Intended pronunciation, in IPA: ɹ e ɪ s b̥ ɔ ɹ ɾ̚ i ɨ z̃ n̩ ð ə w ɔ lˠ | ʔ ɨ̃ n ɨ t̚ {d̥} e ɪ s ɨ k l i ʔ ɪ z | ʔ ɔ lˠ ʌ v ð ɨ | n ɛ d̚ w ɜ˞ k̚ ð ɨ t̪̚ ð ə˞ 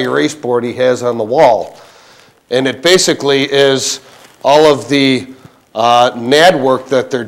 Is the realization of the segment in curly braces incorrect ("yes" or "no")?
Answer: yes